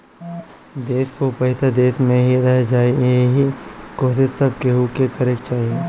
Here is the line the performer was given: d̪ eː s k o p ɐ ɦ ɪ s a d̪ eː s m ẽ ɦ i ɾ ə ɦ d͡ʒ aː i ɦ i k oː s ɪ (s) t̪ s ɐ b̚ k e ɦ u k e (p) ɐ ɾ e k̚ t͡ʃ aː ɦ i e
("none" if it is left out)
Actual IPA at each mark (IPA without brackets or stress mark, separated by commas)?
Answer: none, k